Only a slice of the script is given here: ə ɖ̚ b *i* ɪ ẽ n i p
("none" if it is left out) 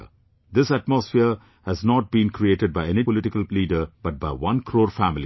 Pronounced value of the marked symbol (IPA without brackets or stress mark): a